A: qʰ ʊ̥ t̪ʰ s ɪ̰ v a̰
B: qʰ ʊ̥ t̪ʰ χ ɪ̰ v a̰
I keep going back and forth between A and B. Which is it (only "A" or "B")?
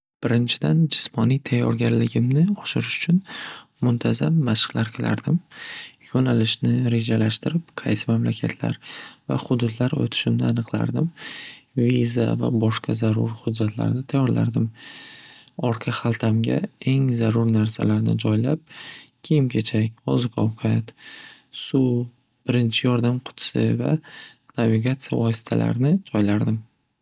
A